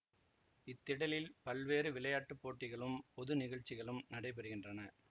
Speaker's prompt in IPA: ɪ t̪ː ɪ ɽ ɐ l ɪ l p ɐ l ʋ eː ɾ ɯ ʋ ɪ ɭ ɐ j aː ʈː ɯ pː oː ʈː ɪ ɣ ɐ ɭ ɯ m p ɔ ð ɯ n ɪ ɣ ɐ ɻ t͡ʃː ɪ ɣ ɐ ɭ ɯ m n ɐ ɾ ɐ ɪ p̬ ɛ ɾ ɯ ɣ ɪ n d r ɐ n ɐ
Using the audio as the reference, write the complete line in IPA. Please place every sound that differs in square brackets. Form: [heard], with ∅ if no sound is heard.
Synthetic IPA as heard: ɪ t̪ː ɪ ɽ ɐ l ɪ l p ɐ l ʋ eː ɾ ɯ ʋ ɪ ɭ ɐ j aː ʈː ɯ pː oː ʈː ɪ ɣ ɐ ɭ ɯ m p ɔ ð ɯ n ɪ ɣ ɐ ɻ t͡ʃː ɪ ɣ ɐ ɭ ɯ m n ɐ [ɽ] ɐ ɪ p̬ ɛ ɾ ɯ ɣ ɪ n d r ɐ n ɐ